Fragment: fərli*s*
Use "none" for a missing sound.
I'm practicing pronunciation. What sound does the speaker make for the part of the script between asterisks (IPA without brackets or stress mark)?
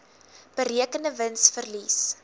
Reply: s